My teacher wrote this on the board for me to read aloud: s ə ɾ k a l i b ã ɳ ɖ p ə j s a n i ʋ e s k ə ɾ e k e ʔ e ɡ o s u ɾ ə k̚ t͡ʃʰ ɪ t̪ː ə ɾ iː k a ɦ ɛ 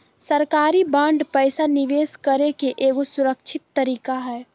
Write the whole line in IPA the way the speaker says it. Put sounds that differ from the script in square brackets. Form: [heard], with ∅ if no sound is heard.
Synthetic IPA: s ə ɾ k a [ɾ] i b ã ɳ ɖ p ə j s a n i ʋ e s k ə ɾ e k e ʔ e ɡ o s u ɾ ə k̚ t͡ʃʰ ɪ t̪ː ə ɾ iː k a ɦ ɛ